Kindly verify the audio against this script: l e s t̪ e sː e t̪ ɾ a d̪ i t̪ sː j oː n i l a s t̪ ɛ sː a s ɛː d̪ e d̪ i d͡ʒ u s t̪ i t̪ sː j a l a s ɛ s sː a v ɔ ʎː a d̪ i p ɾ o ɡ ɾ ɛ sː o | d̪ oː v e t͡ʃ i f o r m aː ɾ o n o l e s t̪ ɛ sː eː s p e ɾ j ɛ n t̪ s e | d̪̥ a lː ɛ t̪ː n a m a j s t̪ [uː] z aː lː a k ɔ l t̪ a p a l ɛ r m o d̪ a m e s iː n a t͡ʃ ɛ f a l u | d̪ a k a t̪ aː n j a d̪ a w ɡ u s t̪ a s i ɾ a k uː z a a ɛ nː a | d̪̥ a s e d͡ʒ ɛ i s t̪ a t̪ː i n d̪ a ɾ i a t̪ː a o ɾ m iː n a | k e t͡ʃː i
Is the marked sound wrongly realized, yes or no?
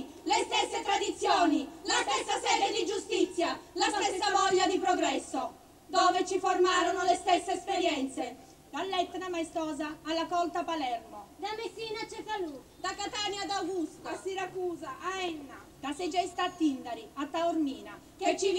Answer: yes